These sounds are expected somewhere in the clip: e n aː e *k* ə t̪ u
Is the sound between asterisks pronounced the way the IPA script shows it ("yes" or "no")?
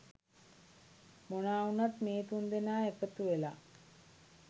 yes